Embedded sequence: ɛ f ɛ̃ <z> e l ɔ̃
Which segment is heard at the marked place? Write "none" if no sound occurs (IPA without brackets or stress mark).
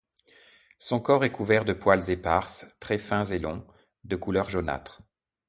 z